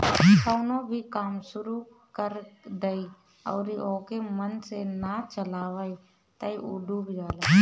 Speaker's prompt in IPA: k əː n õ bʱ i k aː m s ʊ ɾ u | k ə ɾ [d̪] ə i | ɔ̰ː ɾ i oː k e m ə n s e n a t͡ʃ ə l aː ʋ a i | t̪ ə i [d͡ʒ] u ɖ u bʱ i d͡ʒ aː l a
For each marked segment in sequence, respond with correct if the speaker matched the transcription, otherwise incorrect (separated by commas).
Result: correct, incorrect